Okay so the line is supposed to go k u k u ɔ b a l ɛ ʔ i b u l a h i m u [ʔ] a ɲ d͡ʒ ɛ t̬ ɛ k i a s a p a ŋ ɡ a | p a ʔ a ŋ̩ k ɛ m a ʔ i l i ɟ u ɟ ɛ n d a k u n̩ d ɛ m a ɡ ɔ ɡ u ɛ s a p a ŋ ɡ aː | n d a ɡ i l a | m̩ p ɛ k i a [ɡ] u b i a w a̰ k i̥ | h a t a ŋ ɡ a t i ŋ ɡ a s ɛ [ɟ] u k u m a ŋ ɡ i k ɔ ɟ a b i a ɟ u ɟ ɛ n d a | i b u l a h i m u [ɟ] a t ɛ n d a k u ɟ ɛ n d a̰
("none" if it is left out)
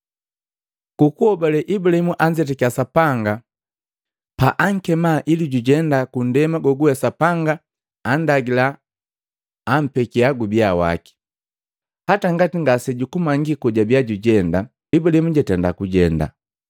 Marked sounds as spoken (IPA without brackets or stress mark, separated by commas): ʔ, ɡ, ɟ, ɟ